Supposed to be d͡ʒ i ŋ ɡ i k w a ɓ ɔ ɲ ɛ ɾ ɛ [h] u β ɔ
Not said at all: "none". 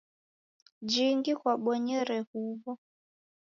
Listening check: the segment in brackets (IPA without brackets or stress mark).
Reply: h